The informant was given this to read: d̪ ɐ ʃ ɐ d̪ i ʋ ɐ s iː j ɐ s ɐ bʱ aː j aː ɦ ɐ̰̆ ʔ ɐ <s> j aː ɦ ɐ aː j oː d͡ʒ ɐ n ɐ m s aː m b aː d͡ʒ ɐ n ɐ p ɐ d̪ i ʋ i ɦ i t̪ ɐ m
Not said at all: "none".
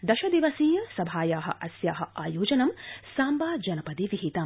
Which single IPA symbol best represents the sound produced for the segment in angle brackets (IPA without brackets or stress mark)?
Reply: s